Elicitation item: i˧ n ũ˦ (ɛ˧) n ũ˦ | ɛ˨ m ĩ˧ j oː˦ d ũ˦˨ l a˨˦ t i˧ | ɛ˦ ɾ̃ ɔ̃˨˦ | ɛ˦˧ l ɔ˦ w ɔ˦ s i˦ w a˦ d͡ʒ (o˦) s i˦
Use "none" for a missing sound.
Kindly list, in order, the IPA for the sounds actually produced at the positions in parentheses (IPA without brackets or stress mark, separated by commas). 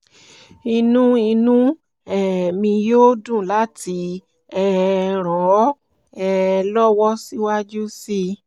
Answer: i˧, u˦